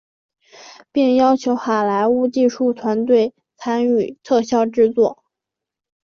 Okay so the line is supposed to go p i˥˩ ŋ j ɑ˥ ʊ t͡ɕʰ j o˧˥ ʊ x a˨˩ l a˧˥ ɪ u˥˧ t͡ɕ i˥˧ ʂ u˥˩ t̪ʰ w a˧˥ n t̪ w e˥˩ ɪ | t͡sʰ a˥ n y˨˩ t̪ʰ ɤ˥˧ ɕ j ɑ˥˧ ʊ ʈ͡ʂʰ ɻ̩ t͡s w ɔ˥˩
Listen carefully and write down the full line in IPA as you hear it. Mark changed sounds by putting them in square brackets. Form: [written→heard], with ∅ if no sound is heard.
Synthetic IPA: p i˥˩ ŋ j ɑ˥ ʊ t͡ɕʰ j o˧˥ ʊ x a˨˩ l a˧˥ ɪ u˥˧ t͡ɕ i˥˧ ʂ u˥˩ t̪ʰ w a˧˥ n t̪ w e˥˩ ɪ | t͡sʰ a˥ n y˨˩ t̪ʰ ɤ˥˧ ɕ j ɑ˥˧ ʊ [ʈ͡ʂʰ→ʈ͡ʂ] ɻ̩ t͡s w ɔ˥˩